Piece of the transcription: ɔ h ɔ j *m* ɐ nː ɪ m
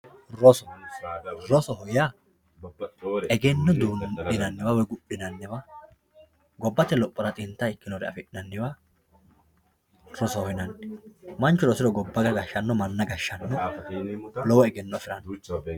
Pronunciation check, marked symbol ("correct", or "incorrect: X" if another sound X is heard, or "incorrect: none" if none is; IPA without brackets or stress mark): incorrect: n